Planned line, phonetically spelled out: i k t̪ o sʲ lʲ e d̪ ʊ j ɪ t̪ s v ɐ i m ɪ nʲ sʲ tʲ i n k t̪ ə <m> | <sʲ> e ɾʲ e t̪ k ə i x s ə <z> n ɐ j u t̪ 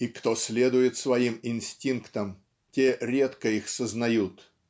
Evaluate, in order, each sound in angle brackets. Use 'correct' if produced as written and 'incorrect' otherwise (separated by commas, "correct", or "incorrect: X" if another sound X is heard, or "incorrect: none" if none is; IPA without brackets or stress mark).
correct, incorrect: tʲ, correct